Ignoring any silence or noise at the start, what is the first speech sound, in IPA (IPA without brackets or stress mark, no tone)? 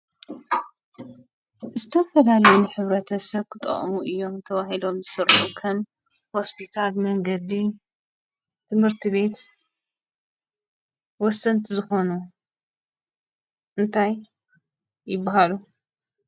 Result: z